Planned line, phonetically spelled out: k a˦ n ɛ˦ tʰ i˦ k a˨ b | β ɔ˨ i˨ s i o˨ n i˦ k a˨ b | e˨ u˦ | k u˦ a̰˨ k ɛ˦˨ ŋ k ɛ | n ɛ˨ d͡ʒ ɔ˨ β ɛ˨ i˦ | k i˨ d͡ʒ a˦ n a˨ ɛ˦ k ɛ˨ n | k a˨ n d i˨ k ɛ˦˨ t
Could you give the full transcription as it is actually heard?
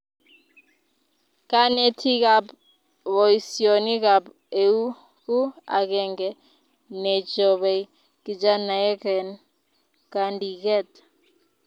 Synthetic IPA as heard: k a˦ n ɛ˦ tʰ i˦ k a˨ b | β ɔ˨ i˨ s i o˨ n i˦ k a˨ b | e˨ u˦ | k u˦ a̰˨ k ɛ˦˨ ŋ ɡ ɛ | n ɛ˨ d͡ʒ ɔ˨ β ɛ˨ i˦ | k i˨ d͡ʒ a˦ n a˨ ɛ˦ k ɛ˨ n | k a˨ n d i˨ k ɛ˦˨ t